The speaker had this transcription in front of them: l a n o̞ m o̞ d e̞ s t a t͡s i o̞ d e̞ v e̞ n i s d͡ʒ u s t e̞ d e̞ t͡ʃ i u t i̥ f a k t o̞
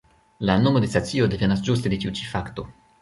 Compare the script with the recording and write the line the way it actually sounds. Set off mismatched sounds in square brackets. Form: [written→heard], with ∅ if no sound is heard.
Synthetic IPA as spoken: l a n o̞ m o̞ d e̞ s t a t͡s i o̞ d e̞ v e̞ n [i→a] s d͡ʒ u s t e̞ d e̞ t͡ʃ i u [t→t͡ʃ] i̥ f a k t o̞